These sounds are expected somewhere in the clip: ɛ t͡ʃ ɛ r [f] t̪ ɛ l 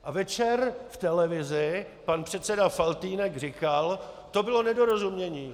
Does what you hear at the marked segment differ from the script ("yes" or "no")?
no